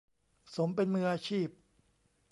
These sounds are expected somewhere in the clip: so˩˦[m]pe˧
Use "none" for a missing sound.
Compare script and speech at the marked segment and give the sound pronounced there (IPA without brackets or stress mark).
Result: m